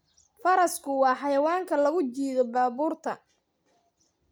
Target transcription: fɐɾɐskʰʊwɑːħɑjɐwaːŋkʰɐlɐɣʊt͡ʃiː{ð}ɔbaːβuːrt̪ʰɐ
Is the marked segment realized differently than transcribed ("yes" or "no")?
no